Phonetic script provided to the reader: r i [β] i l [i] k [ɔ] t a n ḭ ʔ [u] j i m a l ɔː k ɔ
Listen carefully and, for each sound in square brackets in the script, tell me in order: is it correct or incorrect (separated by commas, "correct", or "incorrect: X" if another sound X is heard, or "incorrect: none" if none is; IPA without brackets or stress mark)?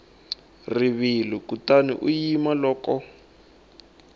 correct, correct, incorrect: u, correct